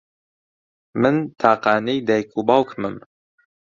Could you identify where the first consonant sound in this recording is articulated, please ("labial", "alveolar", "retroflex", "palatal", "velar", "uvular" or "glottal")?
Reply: labial